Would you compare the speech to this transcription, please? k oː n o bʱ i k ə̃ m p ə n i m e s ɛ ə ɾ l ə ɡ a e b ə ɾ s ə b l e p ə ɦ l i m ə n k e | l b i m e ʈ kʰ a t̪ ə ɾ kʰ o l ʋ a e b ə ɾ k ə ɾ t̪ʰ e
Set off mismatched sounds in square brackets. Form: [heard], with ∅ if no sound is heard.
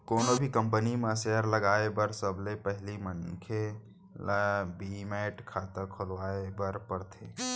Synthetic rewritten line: k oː n o bʱ i k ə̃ m p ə n i m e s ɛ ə ɾ l ə ɡ a e b ə ɾ s ə b l e p ə ɦ l i m ə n [kʰ] e | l b i m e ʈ kʰ a t̪ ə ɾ kʰ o l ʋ a e b ə ɾ [p] ə ɾ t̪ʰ e